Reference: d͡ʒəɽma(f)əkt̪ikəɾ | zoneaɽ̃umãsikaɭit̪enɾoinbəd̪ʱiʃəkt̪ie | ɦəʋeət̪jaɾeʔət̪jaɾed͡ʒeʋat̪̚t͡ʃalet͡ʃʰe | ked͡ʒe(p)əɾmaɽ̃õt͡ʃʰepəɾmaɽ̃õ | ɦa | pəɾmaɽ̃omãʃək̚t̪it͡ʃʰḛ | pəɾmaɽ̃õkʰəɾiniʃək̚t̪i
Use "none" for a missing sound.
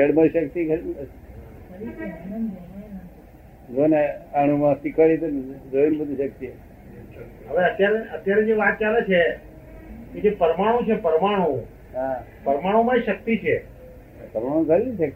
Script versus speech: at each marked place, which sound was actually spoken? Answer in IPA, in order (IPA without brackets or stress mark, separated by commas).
ʃ, p